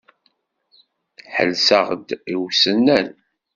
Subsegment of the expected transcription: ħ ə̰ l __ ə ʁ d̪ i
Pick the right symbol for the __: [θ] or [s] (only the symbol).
s